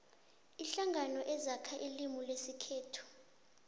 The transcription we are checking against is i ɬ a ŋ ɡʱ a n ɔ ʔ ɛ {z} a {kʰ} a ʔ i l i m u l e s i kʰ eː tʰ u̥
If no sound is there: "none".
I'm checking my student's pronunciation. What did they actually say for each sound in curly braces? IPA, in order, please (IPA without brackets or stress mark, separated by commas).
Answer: z, kʰ